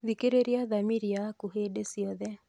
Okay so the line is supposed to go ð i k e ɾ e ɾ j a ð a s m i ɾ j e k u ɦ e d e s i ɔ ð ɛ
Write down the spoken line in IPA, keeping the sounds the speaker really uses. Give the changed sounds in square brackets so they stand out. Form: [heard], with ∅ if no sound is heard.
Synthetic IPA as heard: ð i k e ɾ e ɾ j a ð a [∅] m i ɾ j [a] k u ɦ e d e s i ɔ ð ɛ